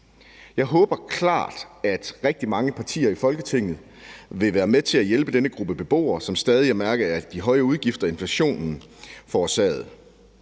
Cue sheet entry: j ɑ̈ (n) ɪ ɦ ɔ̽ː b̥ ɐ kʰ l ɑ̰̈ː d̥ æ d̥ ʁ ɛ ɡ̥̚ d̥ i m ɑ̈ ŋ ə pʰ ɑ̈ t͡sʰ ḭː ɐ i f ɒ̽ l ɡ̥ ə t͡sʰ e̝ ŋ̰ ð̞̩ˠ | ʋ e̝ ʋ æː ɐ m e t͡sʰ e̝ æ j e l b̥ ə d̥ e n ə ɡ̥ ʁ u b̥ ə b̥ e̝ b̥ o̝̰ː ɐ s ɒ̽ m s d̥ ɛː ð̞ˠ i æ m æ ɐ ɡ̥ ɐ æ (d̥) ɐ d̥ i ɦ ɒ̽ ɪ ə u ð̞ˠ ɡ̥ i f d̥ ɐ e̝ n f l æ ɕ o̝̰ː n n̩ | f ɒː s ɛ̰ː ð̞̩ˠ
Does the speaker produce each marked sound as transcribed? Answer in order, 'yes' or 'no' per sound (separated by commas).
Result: no, no